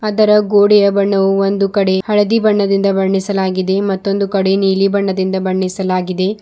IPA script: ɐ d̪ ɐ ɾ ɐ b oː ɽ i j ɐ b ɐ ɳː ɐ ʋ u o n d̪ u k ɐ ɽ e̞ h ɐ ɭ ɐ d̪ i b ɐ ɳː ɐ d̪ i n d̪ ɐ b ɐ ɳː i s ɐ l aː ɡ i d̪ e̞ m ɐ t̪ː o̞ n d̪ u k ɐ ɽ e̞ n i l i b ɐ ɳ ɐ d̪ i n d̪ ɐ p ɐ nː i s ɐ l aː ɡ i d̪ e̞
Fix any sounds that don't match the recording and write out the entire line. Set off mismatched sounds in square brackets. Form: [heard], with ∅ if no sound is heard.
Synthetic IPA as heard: ɐ d̪ ɐ ɾ ɐ [ɡ] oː ɽ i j ɐ b ɐ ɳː ɐ ʋ u o n d̪ u k ɐ ɽ e̞ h ɐ ɭ ɐ d̪ i b ɐ ɳː ɐ d̪ i n d̪ ɐ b ɐ ɳː i s ɐ l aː ɡ i d̪ e̞ m ɐ t̪ː o̞ n d̪ u k ɐ ɽ e̞ n [iː] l i b ɐ [ɳː] ɐ d̪ i n d̪ ɐ [b] ɐ [ɳː] i s ɐ l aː ɡ i d̪ e̞